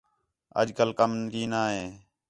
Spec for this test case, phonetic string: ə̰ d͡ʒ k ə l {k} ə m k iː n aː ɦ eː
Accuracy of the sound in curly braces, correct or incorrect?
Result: correct